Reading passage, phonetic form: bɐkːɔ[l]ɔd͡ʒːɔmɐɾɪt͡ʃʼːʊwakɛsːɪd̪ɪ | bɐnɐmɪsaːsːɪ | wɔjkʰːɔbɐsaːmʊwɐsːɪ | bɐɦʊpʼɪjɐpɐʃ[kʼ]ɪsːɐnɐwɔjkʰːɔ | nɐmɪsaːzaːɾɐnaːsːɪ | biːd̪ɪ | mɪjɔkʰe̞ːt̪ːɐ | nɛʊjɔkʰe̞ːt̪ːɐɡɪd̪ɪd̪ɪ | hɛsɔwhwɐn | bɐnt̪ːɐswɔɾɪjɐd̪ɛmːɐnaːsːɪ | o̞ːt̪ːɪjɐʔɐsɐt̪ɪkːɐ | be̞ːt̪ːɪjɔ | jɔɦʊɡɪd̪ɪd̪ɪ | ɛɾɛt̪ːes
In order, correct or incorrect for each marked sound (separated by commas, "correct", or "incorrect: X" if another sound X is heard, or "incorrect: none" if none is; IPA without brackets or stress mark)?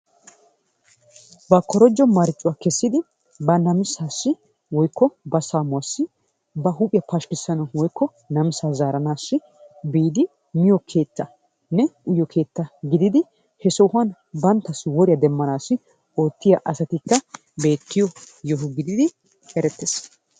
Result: incorrect: ɾ, incorrect: k